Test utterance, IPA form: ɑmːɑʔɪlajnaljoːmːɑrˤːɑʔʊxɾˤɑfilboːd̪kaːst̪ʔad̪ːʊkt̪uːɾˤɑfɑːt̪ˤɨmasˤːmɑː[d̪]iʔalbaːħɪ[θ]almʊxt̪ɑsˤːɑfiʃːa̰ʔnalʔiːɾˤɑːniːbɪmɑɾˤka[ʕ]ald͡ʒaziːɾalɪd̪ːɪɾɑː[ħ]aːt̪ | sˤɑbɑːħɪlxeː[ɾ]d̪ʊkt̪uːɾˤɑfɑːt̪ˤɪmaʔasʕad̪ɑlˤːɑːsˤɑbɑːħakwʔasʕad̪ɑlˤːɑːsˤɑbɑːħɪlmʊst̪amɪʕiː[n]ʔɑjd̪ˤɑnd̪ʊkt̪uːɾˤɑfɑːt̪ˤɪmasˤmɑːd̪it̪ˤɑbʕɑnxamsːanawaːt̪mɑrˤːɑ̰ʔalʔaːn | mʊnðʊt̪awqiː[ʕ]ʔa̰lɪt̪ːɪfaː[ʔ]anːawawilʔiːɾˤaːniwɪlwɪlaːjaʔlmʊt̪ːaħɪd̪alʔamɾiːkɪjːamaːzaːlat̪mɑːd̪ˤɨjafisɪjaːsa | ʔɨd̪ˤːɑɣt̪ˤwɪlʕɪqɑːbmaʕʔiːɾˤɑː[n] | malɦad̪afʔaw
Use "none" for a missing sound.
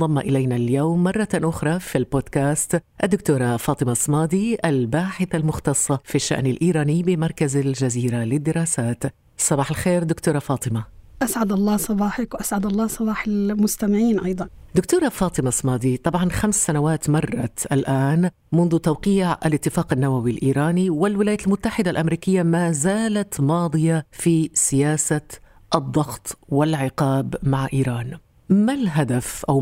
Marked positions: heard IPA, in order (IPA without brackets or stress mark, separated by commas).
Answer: d̪, θ, z, s, ɾ, n, ʕ, q, n